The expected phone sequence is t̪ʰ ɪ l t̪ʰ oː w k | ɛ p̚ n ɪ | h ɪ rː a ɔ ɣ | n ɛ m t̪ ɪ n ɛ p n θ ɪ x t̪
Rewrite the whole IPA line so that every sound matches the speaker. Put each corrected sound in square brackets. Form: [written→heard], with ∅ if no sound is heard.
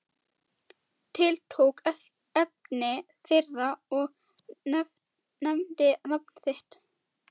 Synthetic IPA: t̪ʰ ɪ l t̪ʰ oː w k | ɛ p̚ n ɪ | [h→θ] ɪ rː a ɔ ɣ | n ɛ m t̪ ɪ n [ɛ→a] p n θ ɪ [x→h] t̪